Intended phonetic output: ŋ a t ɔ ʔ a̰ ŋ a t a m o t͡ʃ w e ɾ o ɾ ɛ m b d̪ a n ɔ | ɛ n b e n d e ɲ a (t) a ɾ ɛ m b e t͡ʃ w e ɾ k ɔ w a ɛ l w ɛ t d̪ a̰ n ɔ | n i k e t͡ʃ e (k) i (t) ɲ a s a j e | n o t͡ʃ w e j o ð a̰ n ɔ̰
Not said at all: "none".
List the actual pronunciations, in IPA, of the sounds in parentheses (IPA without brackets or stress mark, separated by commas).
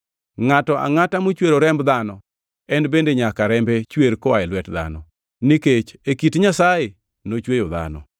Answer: k, k, t